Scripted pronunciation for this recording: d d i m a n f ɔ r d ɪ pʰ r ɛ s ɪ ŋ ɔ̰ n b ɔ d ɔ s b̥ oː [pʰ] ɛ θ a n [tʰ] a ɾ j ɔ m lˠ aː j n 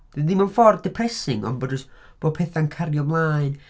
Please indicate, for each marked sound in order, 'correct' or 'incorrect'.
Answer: correct, incorrect: kʰ

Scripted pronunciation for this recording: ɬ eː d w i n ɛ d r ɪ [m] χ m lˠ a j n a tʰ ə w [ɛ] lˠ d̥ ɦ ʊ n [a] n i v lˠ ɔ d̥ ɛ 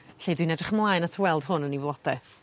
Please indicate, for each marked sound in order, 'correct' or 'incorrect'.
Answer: incorrect: none, correct, incorrect: ə

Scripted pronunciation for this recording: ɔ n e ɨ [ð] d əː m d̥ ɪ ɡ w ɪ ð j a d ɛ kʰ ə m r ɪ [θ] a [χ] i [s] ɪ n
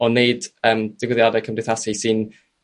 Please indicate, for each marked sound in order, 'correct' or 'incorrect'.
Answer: incorrect: none, correct, incorrect: s, correct

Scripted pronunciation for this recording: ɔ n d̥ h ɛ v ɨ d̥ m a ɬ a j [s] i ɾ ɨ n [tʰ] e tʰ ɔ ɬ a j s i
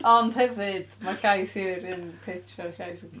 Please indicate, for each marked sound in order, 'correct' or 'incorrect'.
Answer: correct, incorrect: pʰ

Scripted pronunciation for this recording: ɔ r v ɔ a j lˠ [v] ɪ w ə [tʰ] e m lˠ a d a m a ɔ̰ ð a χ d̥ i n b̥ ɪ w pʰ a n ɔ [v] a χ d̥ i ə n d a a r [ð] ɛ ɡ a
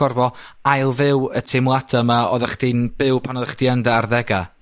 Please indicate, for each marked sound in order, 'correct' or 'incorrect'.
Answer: correct, correct, incorrect: ð, correct

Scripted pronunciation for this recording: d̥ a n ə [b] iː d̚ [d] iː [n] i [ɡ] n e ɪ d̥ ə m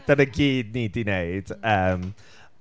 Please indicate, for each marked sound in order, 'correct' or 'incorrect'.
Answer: incorrect: ɡ, incorrect: n, incorrect: d, incorrect: none

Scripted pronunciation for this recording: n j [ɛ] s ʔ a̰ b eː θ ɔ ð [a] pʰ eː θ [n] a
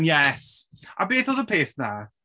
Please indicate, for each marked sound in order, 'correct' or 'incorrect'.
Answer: correct, incorrect: ə, correct

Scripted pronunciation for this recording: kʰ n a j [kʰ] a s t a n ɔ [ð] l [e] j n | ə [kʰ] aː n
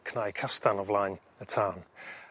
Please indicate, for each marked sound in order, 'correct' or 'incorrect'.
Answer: correct, incorrect: v, incorrect: a, incorrect: tʰ

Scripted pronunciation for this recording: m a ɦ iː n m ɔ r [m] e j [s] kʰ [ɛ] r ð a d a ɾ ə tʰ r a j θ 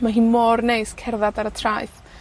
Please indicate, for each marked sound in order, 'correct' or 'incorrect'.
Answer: incorrect: n, correct, correct

